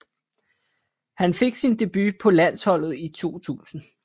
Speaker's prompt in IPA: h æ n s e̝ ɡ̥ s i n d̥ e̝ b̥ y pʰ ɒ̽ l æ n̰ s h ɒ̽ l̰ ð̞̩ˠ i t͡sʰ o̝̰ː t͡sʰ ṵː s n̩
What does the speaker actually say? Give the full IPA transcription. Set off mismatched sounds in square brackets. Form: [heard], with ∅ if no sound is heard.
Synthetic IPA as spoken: h æ n [f] e̝ ɡ̥ s i n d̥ e̝ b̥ y pʰ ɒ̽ l æ n̰ s h ɒ̽ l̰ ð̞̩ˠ i t͡sʰ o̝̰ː t͡sʰ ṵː s n̩